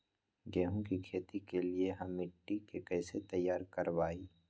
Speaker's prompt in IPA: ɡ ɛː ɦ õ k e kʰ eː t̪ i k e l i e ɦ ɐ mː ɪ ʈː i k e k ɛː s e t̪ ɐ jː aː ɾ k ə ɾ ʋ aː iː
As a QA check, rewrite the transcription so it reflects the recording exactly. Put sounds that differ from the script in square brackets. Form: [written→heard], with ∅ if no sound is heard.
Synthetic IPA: ɡ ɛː ɦ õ k [e→i] kʰ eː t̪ i k e l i e ɦ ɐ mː ɪ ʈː i k e k ɛː s e t̪ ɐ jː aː ɾ k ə ɾ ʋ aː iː